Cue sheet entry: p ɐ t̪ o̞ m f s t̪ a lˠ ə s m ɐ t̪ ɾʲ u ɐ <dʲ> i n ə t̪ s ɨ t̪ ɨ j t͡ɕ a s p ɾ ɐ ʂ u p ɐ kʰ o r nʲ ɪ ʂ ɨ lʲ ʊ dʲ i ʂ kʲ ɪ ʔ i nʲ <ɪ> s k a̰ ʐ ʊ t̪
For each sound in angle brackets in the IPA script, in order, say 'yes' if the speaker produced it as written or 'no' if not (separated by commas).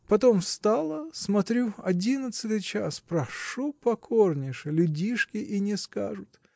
yes, yes